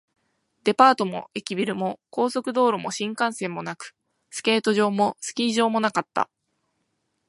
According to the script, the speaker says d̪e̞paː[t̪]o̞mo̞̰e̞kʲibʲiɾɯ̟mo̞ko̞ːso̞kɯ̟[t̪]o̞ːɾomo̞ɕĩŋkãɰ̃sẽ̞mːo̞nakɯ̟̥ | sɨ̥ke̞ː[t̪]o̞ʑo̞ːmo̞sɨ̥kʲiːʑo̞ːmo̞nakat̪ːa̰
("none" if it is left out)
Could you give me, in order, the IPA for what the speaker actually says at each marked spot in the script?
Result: t̪, d̪, t̪

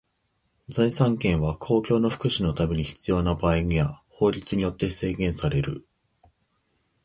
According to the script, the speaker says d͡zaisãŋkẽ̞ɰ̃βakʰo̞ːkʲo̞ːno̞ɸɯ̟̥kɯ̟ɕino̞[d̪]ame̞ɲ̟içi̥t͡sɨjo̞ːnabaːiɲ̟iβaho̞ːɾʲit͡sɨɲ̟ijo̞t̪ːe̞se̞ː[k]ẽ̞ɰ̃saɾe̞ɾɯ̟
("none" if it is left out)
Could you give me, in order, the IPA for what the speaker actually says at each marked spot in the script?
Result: t̪, ɡ

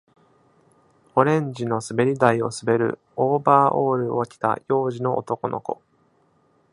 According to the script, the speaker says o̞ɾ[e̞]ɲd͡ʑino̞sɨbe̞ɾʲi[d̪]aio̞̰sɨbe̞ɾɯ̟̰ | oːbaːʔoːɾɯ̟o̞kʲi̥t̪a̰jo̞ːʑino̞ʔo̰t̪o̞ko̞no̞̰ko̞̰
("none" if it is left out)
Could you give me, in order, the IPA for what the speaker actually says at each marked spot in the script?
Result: ẽ̞, d̪

